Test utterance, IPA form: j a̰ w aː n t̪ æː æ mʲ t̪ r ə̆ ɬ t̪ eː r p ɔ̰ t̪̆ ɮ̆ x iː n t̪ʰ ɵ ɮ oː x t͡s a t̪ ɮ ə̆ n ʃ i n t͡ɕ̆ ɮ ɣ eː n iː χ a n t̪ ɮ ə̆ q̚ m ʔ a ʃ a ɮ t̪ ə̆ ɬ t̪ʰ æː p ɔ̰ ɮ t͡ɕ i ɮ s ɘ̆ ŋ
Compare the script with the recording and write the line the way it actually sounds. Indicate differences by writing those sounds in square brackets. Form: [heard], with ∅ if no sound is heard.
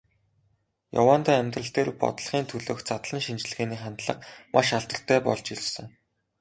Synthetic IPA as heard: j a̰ w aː n t̪ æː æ mʲ t̪ r ə̆ ɬ t̪ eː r p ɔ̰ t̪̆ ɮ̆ [χ] iː n t̪ʰ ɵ ɮ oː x t͡s a t̪ ɮ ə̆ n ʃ i n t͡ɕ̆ ɮ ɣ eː n iː χ a n t̪ ɮ ə̆ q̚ m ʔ a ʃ a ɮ t̪ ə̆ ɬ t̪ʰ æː p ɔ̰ ɮ t͡ɕ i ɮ s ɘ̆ ŋ